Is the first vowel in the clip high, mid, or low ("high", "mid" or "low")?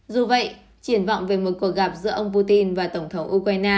high